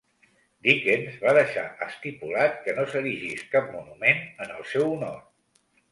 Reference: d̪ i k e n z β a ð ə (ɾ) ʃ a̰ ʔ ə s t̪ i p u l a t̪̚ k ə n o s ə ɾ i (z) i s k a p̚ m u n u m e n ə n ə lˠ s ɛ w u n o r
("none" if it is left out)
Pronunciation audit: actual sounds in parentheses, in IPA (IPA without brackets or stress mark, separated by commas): none, ʒ